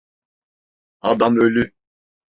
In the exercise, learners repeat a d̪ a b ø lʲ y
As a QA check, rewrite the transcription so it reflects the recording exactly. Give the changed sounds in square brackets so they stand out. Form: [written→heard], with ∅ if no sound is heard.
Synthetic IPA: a d̪ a [b→m] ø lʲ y